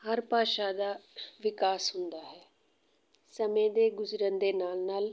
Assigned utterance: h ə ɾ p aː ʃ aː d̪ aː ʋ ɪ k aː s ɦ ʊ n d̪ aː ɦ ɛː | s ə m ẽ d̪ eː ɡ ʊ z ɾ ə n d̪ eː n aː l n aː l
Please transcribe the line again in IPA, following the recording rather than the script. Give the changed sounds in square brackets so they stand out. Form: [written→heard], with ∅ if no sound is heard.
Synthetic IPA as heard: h ə ɾ p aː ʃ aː d̪ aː ʋ ɪ k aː s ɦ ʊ n d̪ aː ɦ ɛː | s ə m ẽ d̪ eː ɡ ʊ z ɾ ə n d̪ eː n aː l n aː l